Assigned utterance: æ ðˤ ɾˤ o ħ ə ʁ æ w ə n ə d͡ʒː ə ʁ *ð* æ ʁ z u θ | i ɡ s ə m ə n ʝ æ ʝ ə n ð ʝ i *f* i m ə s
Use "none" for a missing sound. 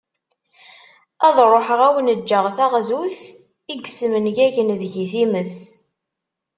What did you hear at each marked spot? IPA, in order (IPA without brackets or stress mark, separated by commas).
θ, θ